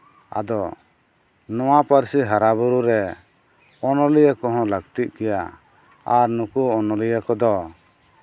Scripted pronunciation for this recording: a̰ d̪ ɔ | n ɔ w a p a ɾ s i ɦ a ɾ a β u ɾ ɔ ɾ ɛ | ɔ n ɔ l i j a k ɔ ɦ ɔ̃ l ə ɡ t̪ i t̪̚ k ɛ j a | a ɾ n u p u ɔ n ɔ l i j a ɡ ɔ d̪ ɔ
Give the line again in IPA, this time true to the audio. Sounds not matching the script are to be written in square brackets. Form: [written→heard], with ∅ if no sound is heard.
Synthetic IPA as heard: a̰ d̪ ɔ | n ɔ w a p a ɾ s i ɦ a ɾ a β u ɾ [ɔ→u] ɾ ɛ | ɔ n ɔ l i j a k ɔ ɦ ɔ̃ l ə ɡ t̪ i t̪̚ k ɛ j a | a ɾ n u [p→k] u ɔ n ɔ l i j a [ɡ→k] ɔ d̪ ɔ

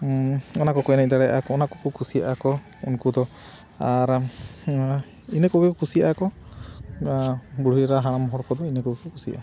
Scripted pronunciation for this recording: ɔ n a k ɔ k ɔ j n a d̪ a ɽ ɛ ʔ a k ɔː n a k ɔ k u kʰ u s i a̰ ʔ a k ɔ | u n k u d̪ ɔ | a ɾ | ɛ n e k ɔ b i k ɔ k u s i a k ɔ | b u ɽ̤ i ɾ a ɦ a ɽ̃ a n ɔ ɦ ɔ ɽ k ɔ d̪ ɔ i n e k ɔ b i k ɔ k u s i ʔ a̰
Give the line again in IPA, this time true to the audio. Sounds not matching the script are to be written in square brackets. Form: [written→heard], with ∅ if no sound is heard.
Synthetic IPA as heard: ɔ n a k ɔ k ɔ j n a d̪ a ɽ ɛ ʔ a k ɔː n a k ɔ k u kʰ u s i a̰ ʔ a k ɔ | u n k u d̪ ɔ | a ɾ | [ɛ→i] n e k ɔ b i k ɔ k u s i a k ɔ | b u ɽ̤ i ɾ a ɦ a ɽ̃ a [n→m] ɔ ɦ ɔ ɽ k ɔ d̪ ɔ i n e k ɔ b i k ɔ k u s i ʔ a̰

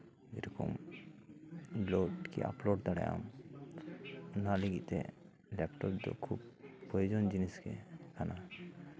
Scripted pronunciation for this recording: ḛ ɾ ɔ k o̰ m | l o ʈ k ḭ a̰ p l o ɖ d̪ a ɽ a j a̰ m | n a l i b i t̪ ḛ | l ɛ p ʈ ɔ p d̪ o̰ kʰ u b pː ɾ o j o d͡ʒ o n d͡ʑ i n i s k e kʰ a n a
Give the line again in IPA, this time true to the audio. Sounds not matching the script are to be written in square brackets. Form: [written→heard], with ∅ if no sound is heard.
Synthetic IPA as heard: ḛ ɾ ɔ k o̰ m | l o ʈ k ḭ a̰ p l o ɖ d̪ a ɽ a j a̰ m | n a l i [b→ɡ] i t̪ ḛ | l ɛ p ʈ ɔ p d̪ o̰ kʰ u b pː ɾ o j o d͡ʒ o n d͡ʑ i n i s k e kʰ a n a

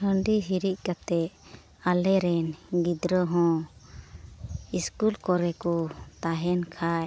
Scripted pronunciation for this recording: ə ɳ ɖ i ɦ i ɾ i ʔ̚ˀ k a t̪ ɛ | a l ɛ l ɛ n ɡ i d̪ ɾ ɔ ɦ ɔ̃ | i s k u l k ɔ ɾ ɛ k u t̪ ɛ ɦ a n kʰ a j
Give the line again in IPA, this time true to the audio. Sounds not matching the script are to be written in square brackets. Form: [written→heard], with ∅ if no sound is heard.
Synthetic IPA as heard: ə ɳ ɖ i ɦ i ɾ i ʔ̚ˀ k a t̪ ɛ | a l ɛ [l→ɾ] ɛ n ɡ i d̪ ɾ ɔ ɦ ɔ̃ | i s k u l k ɔ ɾ ɛ k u t̪ [ɛ→a] ɦ [a→ɛ] n kʰ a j

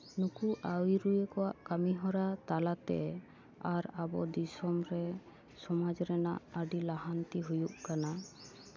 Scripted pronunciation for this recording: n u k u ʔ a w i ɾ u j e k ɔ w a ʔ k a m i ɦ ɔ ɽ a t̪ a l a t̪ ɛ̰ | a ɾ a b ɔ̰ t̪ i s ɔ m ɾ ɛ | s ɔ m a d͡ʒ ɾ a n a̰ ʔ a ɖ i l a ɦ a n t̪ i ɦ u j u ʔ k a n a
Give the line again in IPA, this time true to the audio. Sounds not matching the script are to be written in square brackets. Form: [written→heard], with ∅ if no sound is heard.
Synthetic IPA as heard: n u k u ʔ a w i ɾ u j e k ɔ w a ʔ k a m i ɦ ɔ [ɽ→ɾ] a t̪ a l a t̪ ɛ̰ | a ɾ a b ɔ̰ [t̪→d̪] i s ɔ m ɾ ɛ | s ɔ m a d͡ʒ ɾ [a→ɛ] n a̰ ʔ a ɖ i l a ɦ a n t̪ i ɦ u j u ʔ k a n a

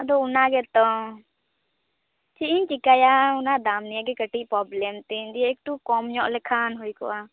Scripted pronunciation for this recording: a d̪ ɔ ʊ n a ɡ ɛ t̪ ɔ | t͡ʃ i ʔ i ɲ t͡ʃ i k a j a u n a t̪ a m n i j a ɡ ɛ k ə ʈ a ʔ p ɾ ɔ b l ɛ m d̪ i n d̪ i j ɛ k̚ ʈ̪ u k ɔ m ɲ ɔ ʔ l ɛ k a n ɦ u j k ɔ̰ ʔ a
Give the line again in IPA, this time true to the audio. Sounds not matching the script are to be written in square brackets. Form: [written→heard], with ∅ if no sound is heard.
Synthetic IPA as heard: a d̪ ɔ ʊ n a ɡ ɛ t̪ ɔ | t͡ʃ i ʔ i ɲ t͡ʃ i k a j a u n a [t̪→d̪] a m n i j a ɡ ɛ k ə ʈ [a→i] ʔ p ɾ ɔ b l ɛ m [d̪→t̪] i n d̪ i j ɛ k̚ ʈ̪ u k ɔ m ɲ ɔ ʔ l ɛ [k→kʰ] a n ɦ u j k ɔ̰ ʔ a

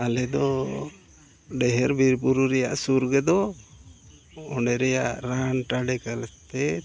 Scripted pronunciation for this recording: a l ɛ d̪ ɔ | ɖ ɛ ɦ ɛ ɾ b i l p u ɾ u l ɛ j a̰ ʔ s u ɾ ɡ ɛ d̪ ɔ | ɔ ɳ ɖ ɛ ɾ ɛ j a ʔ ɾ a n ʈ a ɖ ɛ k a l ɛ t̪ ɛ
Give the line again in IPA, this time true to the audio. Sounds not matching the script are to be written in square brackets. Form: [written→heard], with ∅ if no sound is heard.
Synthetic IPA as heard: a l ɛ d̪ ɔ | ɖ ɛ ɦ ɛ ɾ b i [l→ɾ] p u ɾ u [l→ɾ] ɛ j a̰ ʔ s u ɾ ɡ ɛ d̪ ɔ | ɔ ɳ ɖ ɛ ɾ ɛ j a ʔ ɾ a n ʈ a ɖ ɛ k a l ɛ t̪ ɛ

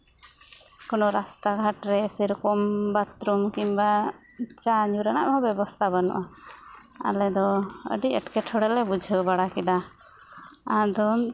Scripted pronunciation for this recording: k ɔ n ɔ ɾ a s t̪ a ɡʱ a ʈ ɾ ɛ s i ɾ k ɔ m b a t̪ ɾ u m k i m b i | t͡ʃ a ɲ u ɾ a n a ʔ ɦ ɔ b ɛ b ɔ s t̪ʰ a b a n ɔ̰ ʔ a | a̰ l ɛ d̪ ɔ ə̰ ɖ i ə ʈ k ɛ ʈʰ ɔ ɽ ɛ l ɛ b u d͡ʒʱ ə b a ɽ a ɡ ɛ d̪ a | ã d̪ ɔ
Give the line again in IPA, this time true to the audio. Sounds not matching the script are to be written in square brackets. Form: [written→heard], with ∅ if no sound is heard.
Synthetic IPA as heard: k ɔ n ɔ ɾ a s t̪ a ɡʱ a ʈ ɾ ɛ s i ɾ k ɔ m b a t̪ ɾ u m k i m b [i→a] | t͡ʃ a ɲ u ɾ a n a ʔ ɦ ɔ b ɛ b ɔ s t̪ʰ a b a n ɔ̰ ʔ a | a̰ l ɛ d̪ ɔ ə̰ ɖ i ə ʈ k ɛ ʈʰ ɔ ɽ ɛ l ɛ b u d͡ʒʱ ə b a ɽ a [ɡ→k] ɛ d̪ a | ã d̪ ɔ

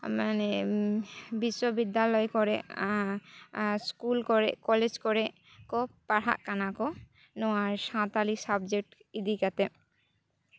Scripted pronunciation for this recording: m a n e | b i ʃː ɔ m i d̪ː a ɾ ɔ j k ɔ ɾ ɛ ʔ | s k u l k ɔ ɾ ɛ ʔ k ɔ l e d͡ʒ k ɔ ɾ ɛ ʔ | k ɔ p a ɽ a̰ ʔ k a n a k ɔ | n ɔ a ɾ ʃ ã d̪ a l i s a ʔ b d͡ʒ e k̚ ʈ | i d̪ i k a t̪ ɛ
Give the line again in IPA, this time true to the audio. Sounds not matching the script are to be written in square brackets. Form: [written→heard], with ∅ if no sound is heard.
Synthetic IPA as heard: m a n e | b i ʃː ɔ [m→b] i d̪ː a [ɾ→l] ɔ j k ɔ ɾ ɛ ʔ | s k u l k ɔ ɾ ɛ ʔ k ɔ l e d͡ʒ k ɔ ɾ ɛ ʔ | k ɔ p a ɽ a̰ ʔ k a n a k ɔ | n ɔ a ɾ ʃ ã [d̪→t̪] a l i s a [ʔ→∅] b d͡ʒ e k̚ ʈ | i d̪ i k a t̪ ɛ

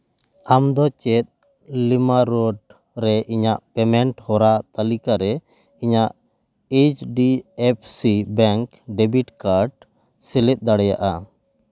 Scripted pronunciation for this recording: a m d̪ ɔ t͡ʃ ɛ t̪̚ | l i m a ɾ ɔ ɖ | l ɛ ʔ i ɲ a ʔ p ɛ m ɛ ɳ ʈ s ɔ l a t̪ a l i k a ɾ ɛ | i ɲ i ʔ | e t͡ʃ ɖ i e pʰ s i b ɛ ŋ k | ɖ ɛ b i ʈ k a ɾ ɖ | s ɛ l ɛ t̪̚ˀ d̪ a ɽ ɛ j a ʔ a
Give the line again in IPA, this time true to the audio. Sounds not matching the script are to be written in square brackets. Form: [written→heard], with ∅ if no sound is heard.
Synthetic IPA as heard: a m d̪ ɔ t͡ʃ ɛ t̪̚ | l i m a ɾ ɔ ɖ | [l→ɾ] ɛ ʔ i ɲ a ʔ p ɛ m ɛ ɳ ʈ [s→h] ɔ [l→ɾ] a t̪ a l i k a ɾ ɛ | i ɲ [i→a] ʔ | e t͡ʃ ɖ i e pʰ s i b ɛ ŋ k | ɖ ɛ b i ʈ k a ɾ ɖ | s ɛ l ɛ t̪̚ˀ d̪ a ɽ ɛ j a ʔ a

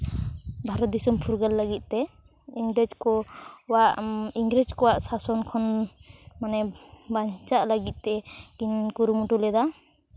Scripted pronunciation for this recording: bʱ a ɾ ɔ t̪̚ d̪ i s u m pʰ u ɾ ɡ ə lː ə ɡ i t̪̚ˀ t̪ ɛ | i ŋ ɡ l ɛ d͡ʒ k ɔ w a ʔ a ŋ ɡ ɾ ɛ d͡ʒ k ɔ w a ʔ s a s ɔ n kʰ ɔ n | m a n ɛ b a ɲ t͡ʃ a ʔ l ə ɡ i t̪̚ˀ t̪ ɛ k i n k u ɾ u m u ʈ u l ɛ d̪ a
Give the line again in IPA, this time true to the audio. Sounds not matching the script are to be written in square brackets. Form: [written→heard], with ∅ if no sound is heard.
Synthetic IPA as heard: bʱ a ɾ ɔ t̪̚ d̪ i s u m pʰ u ɾ ɡ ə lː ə ɡ i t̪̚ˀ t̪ ɛ | i ŋ ɡ [l→ɾ] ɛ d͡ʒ k ɔ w a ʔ [a→i] ŋ ɡ ɾ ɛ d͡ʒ k ɔ w a ʔ s a s ɔ n kʰ ɔ n | m a n ɛ b a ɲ t͡ʃ a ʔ l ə ɡ i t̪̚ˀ t̪ ɛ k i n k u ɾ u m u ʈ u l ɛ d̪ a

